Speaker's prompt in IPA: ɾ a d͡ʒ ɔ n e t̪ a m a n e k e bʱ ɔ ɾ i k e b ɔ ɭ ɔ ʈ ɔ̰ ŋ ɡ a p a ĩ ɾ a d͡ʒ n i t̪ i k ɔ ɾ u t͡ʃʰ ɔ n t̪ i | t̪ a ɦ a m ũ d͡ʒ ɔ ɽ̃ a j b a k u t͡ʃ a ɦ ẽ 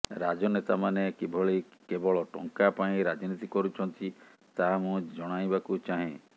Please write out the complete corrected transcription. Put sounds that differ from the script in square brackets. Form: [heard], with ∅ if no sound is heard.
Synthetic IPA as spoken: ɾ a d͡ʒ ɔ n e t̪ a m a n e k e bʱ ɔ [ɭ] i k e b ɔ ɭ ɔ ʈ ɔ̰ ŋ [k] a p a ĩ ɾ a d͡ʒ n i t̪ i k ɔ ɾ u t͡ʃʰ ɔ n t̪ i | t̪ a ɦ a m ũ d͡ʒ ɔ ɽ̃ a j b a k u t͡ʃ a ɦ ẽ